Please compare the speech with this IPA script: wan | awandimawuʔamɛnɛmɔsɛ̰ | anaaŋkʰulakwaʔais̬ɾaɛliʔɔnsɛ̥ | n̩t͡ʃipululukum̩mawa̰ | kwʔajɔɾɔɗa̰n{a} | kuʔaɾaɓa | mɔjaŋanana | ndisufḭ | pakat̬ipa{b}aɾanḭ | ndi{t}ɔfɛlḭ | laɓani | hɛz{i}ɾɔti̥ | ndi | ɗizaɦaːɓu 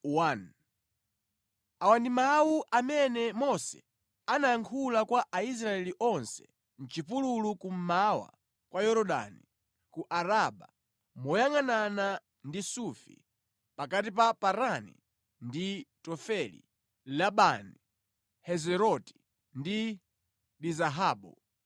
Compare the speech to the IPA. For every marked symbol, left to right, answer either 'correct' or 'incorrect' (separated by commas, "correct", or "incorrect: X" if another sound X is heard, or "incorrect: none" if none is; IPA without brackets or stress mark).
incorrect: i, incorrect: p, correct, incorrect: ɛ